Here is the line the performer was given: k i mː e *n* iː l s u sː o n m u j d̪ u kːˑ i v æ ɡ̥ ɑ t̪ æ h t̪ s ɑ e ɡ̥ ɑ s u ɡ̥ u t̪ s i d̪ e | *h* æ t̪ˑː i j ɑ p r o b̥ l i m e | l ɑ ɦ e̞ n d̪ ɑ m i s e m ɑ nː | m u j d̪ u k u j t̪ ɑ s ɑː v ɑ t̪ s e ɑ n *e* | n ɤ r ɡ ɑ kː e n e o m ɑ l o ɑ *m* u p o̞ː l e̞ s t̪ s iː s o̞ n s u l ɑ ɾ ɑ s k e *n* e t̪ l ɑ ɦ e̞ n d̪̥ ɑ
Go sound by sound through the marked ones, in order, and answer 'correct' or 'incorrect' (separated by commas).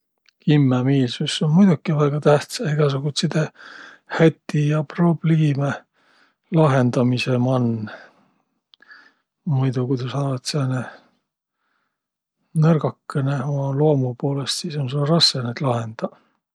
incorrect, correct, correct, correct, correct